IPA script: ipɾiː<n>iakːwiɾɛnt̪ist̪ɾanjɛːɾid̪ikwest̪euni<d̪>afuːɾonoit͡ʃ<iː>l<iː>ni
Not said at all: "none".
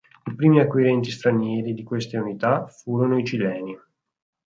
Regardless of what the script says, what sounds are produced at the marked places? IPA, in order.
m, t̪, i, ɛː

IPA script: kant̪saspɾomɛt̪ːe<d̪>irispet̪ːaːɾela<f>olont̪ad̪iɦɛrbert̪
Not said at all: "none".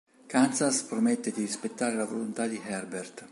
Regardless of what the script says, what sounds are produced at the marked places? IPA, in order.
d̪, v

